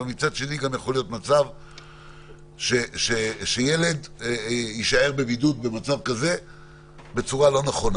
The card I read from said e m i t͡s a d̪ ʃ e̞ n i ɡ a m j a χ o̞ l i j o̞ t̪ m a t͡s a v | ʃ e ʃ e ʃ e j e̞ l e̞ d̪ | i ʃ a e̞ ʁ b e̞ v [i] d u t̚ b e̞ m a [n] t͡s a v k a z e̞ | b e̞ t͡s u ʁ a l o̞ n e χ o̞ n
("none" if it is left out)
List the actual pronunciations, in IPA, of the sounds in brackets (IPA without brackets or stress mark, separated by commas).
i, none